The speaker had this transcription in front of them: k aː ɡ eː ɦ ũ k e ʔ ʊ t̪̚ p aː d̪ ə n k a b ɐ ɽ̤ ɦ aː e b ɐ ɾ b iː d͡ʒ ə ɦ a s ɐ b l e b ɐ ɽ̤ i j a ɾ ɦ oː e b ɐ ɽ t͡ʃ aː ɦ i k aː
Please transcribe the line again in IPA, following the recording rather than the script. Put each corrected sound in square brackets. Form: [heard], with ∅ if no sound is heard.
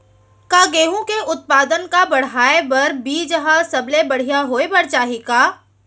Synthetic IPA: k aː ɡ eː ɦ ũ k e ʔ ʊ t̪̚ p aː d̪ ə n k a b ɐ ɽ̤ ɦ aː e b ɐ ɾ b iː d͡ʒ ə ɦ a s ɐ b l e b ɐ ɽ̤ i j a [∅] ɦ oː e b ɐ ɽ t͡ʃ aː ɦ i k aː